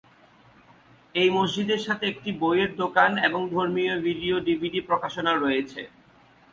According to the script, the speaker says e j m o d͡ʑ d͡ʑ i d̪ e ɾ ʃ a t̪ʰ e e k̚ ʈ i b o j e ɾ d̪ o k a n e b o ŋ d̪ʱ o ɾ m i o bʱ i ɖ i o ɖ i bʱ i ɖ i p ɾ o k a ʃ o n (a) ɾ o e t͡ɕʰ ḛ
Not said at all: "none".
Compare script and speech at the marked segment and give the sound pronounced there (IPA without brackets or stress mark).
a